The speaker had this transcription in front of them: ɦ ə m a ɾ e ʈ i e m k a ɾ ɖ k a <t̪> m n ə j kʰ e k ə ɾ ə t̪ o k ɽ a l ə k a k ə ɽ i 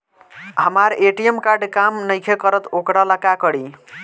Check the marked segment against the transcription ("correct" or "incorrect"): incorrect